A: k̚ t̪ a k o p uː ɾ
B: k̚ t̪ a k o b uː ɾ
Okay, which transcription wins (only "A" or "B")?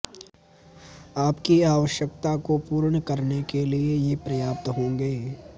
A